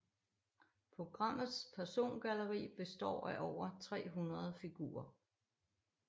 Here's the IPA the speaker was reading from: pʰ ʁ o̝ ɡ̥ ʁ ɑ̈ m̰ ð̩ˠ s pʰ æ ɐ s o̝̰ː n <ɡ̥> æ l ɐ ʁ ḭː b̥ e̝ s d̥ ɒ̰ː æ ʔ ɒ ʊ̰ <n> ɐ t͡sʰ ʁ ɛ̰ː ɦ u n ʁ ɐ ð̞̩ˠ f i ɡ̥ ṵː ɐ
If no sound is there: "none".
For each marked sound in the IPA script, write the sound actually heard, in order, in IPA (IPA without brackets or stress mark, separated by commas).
ɡ̥, none